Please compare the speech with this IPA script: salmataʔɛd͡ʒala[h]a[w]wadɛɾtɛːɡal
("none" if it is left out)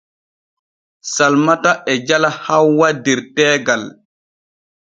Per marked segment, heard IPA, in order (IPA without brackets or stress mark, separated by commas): h, w